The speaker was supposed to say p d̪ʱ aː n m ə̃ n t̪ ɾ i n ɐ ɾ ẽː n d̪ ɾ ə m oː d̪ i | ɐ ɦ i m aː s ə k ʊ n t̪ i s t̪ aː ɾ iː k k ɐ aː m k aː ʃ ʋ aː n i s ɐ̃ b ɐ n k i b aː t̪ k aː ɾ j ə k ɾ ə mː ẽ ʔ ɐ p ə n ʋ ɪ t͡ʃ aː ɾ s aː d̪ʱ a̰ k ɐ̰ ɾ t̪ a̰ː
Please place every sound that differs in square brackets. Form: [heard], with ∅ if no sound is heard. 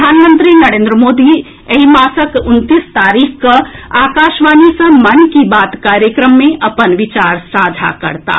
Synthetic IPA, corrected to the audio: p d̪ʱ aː n m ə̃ n t̪ ɾ i n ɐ ɾ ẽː n d̪ ɾ ə m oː d̪ i | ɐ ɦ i m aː s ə k ʊ n t̪ i s t̪ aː ɾ iː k k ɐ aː [∅] k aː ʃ ʋ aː n i s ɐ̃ [m] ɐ n k i b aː t̪ k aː ɾ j ə k ɾ ə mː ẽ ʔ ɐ p ə n ʋ ɪ t͡ʃ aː ɾ s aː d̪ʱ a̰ k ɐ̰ ɾ t̪ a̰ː